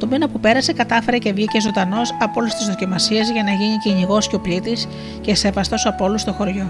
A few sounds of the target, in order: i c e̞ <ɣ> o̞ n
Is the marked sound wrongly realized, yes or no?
yes